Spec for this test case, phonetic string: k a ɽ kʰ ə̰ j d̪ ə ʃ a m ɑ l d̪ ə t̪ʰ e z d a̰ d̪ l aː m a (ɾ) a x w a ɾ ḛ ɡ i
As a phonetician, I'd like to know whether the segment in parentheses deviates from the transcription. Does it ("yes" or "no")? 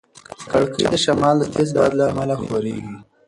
yes